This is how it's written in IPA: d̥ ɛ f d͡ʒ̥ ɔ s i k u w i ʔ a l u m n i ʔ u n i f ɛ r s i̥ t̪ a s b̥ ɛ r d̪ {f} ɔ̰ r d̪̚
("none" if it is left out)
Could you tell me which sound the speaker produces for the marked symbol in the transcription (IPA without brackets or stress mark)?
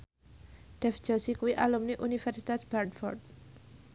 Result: f